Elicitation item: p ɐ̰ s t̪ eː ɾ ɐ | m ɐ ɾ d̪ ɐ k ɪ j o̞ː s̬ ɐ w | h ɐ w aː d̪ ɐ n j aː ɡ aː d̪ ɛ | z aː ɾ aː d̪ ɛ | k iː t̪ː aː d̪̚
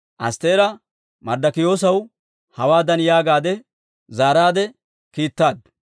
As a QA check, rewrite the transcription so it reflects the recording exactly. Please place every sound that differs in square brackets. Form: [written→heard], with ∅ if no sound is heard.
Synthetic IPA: [p→ʔ] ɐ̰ s t̪ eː ɾ ɐ | m ɐ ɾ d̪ ɐ k ɪ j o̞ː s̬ ɐ w | h ɐ w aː d̪ ɐ n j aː ɡ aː d̪ ɛ | z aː ɾ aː d̪ ɛ | k iː t̪ː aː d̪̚

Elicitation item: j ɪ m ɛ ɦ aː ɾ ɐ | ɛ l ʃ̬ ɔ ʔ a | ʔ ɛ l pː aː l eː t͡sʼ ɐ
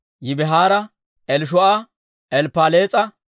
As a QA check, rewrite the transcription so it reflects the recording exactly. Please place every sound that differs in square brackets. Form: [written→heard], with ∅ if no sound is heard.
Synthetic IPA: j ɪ [m→b] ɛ ɦ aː ɾ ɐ | ɛ l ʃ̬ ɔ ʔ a | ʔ ɛ l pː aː l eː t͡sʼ ɐ

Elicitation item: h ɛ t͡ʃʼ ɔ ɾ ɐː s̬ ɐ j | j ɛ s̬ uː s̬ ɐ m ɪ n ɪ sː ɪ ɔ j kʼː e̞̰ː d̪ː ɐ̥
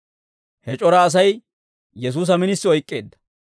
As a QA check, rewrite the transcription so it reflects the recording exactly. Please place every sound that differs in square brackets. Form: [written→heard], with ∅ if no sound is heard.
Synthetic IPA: h ɛ t͡ʃʼ ɔ ɾ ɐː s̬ ɐ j | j ɛ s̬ uː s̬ ɐ m ɪ n ɪ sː ɪ ɔ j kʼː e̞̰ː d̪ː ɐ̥

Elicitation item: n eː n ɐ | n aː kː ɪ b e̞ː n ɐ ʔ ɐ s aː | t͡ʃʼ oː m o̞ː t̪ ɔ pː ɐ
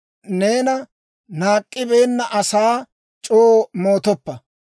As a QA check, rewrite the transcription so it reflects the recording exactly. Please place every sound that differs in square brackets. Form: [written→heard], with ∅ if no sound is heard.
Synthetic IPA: n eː n ɐ | n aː [kː→kʼː] ɪ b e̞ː [n→nː] ɐ ʔ ɐ s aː | t͡ʃʼ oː m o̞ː t̪ ɔ pː ɐ

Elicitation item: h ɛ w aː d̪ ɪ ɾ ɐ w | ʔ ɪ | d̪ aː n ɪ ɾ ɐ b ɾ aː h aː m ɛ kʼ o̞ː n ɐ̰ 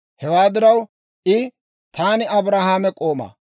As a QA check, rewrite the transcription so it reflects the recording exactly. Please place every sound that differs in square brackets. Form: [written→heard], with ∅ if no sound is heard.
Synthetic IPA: h ɛ w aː d̪ ɪ ɾ ɐ w | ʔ ɪ | [d̪→t̪] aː n ɪ [ɾ→∅] ɐ b ɾ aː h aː m ɛ kʼ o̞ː [n→m] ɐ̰

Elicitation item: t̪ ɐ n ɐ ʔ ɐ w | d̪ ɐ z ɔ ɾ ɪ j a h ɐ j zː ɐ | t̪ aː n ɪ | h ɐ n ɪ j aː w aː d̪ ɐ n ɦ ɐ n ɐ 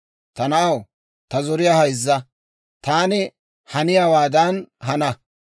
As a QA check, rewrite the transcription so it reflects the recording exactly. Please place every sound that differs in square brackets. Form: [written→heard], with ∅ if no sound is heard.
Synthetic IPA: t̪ ɐ n ɐ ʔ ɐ w | [d̪→t̪] ɐ z ɔ ɾ ɪ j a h ɐ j zː ɐ | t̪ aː n ɪ | h ɐ n ɪ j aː w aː d̪ ɐ n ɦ ɐ n ɐ

